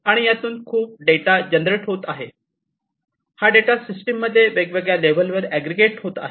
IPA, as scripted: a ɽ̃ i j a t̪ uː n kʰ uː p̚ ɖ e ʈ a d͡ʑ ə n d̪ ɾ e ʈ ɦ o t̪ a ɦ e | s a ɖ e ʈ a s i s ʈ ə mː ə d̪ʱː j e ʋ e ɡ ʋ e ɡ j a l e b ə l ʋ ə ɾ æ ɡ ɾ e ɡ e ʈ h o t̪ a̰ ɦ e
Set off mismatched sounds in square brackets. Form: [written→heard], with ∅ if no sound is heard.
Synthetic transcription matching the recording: a ɽ̃ i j a t̪ uː n kʰ uː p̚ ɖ e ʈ a d͡ʑ ə n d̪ ɾ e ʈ ɦ o t̪ a ɦ e | [s→h] a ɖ e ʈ a s i s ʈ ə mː ə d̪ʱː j e ʋ e ɡ ʋ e ɡ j a l e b ə l ʋ ə ɾ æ ɡ ɾ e ɡ e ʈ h o t̪ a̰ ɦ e

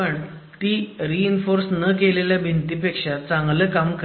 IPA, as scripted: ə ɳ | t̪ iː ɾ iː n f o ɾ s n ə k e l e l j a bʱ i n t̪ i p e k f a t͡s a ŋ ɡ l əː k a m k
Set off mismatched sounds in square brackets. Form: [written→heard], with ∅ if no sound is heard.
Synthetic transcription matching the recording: ə ɳ | t̪ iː ɾ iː n f o ɾ s n ə k e l e l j a bʱ i n t̪ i p e k [f→ʂ] a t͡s a ŋ ɡ l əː k a m k

